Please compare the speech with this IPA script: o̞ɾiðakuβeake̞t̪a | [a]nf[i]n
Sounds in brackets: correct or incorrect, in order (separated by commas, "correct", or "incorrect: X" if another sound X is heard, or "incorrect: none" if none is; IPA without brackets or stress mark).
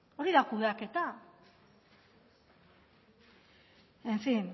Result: incorrect: e, correct